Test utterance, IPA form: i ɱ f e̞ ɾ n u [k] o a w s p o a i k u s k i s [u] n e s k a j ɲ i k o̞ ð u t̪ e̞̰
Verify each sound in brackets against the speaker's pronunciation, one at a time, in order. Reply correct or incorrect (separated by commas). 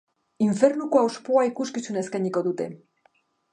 correct, correct